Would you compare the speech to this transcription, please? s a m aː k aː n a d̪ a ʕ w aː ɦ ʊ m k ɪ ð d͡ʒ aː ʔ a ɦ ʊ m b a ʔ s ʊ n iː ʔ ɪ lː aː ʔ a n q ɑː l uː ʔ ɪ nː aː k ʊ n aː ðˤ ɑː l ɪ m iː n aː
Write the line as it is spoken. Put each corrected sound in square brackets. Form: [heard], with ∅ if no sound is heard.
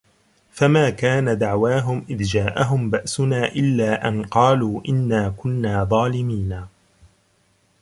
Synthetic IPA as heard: [f] a m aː k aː n a d̪ a ʕ w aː ɦ ʊ m [ʔ] ɪ ð d͡ʒ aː ʔ a ɦ ʊ m b a ʔ s ʊ n [aː] ʔ ɪ lː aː ʔ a n q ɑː l uː ʔ ɪ nː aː k ʊ [nː] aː ðˤ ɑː l ɪ m iː n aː

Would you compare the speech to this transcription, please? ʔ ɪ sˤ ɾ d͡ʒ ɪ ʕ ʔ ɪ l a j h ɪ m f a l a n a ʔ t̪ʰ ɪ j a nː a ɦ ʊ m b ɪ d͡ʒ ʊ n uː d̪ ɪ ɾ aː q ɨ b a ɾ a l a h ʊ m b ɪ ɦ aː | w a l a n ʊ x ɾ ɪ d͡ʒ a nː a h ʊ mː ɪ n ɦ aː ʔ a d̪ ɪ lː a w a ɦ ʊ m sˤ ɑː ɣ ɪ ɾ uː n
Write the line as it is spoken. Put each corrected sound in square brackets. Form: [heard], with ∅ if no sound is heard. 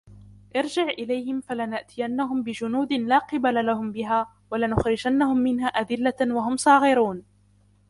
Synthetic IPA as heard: ʔ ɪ [∅] ɾ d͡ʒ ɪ ʕ ʔ ɪ l a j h ɪ m f a l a n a ʔ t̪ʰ ɪ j a nː a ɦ ʊ m b ɪ d͡ʒ ʊ n uː d̪ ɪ [l] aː q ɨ b a [l] a l a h ʊ m b ɪ ɦ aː | w a l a n ʊ x ɾ ɪ d͡ʒ a nː a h ʊ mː ɪ n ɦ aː ʔ a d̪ ɪ lː a w a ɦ ʊ m sˤ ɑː ɣ ɪ ɾ uː n

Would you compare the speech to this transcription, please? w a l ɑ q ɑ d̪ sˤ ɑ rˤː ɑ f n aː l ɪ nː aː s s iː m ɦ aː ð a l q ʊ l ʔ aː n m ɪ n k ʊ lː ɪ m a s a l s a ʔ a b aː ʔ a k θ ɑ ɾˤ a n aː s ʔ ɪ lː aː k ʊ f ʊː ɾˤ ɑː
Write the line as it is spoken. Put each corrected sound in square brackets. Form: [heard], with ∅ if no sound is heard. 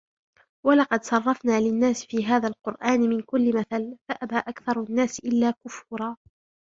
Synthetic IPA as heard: w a l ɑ q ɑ d̪ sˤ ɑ rˤː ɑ f n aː l ɪ nː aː s [f] iː [∅] ɦ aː ð a l q ʊ [ɾ] ʔ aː n m ɪ n k ʊ lː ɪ m a [θ] a l [f] a ʔ a b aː ʔ a k θ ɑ ɾˤ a [nː] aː s ʔ ɪ lː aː k ʊ f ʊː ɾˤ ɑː

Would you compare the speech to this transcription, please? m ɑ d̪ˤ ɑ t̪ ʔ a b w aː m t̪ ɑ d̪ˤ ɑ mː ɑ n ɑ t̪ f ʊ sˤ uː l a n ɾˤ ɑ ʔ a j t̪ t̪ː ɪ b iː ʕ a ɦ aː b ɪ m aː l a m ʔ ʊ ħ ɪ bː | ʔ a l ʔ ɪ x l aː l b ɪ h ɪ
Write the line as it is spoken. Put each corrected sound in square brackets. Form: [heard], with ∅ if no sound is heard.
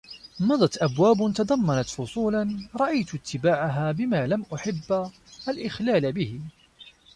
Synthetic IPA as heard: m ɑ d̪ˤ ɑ t̪ ʔ a b w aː [b] t̪ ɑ d̪ˤ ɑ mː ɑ n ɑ t̪ f ʊ sˤ uː l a n ɾˤ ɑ ʔ a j t̪ t̪ː ɪ b [aː] ʕ a ɦ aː b ɪ m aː l a m ʔ ʊ ħ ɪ bː | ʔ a l ʔ ɪ x l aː l b ɪ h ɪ

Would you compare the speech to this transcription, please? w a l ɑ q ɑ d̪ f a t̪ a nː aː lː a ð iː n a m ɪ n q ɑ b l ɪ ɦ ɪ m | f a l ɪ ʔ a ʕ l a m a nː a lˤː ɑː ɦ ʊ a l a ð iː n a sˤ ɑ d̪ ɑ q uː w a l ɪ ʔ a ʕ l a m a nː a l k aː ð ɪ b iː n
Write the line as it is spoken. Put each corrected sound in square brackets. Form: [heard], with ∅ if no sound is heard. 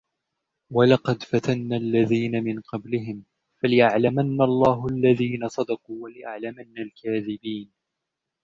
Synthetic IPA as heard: w a l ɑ q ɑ d̪ f a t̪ a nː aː lː a ð iː n a m ɪ n q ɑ b l ɪ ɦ ɪ m | f a l ɪ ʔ a ʕ l a m a nː a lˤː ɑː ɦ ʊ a [lː] a ð iː n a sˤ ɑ d̪ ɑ q uː w a l ɪ ʔ a ʕ l a m a nː a l k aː ð ɪ b iː n

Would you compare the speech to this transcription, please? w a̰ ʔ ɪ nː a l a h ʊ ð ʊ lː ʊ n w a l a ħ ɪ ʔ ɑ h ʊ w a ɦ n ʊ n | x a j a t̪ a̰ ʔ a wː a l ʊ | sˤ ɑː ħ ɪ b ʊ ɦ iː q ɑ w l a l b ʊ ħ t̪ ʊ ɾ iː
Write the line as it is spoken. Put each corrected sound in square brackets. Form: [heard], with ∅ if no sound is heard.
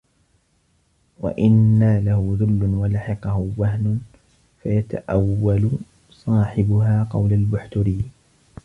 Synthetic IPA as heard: w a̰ ʔ ɪ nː a l a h ʊ ð ʊ lː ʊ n w a l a ħ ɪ [q] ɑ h ʊ w a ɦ n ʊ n | [f] a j a t̪ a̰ ʔ a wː a l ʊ | sˤ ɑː ħ ɪ b ʊ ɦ [aː] q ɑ w l a l b ʊ ħ t̪ ʊ ɾ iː

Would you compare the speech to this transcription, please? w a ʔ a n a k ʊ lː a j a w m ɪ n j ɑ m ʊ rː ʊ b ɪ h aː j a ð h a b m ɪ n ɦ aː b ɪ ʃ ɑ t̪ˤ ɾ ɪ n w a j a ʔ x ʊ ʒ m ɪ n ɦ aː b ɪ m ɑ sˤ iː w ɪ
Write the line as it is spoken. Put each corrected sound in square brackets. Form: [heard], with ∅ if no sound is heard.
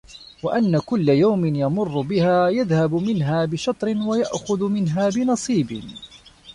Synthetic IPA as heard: w a ʔ a [nː] a k ʊ lː a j a w m ɪ n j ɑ m ʊ rː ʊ b ɪ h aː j a ð h a b m ɪ n ɦ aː b ɪ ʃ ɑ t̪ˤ ɾ ɪ n w a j a ʔ x ʊ [ð] m ɪ n ɦ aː b ɪ [n] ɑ sˤ iː [b] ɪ

